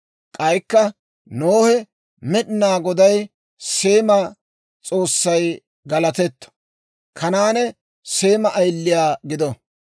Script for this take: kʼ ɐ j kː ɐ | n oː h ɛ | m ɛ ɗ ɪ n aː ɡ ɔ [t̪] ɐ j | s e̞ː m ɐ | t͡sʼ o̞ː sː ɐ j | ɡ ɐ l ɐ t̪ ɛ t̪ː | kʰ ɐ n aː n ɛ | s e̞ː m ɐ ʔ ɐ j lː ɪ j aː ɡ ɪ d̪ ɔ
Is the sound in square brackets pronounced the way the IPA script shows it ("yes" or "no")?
no